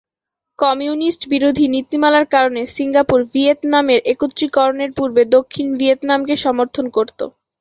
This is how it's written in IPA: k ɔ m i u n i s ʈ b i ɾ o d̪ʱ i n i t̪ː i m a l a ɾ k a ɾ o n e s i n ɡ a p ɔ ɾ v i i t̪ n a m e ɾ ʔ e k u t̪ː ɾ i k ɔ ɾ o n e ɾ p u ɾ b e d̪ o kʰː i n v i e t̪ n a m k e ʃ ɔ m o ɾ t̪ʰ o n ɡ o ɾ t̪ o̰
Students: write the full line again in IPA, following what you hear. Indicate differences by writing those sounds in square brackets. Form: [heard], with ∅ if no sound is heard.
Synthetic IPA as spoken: k ɔ m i u n i s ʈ b i ɾ o d̪ʱ i n i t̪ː i m a l a ɾ k a ɾ o n e s i [ŋ] ɡ a p [u] ɾ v i [e] t̪ n a m e ɾ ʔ e k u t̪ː ɾ i k ɔ ɾ o n e ɾ p u ɾ b e d̪ o kʰː i n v i e t̪ n a m k e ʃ ɔ m o ɾ t̪ʰ o n [k] o ɾ t̪ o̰